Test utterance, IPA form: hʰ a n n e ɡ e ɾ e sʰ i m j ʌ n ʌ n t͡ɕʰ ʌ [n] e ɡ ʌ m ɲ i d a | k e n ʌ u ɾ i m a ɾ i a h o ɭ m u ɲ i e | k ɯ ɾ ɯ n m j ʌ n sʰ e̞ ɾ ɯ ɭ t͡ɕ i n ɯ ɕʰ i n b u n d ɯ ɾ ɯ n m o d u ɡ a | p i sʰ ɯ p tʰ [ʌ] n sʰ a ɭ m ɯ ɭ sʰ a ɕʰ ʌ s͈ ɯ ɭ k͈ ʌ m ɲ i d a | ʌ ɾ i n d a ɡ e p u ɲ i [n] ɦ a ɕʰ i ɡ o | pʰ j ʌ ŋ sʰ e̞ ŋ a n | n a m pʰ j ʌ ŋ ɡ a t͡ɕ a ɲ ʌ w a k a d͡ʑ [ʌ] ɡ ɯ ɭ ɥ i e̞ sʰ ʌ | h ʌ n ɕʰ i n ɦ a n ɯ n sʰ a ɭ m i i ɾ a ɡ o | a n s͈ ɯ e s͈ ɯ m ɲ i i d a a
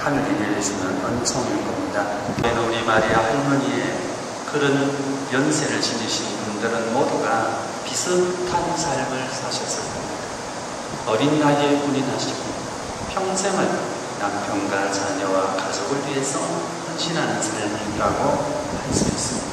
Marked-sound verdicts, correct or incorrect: incorrect: ŋ, incorrect: a, correct, correct

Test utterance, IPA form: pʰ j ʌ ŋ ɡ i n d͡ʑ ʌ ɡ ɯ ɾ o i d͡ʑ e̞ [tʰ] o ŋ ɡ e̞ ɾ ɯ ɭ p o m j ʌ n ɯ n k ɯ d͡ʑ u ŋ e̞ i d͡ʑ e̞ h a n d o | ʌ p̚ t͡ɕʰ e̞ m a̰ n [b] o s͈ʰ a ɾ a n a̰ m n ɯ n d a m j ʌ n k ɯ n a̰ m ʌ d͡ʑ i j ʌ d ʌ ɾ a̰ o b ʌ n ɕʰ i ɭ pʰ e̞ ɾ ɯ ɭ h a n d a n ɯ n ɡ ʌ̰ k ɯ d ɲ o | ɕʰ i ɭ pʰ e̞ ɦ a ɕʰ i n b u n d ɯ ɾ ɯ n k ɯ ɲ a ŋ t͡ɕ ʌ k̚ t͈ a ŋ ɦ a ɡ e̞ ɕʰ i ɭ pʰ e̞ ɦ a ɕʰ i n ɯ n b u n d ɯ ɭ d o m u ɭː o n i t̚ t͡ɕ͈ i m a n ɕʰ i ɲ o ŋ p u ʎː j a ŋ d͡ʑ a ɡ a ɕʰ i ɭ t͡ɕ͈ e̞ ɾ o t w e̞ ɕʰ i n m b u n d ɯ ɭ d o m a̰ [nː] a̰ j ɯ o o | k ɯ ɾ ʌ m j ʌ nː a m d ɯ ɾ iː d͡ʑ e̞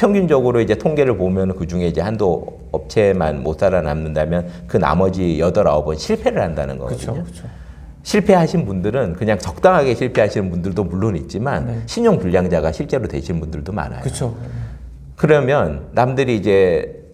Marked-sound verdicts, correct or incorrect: correct, incorrect: m, incorrect: n

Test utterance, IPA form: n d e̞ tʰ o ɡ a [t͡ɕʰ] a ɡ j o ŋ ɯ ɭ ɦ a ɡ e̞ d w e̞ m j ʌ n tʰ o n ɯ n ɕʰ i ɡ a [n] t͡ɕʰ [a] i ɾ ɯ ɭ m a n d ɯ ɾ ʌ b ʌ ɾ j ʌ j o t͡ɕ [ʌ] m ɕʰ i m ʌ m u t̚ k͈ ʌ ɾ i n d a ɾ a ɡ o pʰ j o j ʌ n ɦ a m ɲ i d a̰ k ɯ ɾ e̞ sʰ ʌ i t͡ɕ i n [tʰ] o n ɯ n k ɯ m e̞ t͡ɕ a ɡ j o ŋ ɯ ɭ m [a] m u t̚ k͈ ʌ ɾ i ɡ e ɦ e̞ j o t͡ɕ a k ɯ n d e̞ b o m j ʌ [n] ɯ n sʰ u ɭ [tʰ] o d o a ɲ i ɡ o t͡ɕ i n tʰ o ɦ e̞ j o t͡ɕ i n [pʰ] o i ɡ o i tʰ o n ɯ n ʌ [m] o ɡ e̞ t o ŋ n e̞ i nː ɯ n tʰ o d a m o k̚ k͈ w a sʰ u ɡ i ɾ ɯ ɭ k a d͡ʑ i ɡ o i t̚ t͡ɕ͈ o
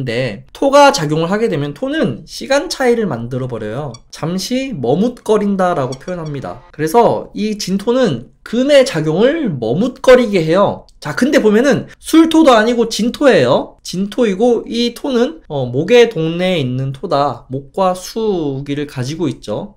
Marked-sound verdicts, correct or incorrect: incorrect: t͡ɕ, correct, correct, incorrect: a, correct, incorrect: ʌ, correct, correct, incorrect: tʰ, correct

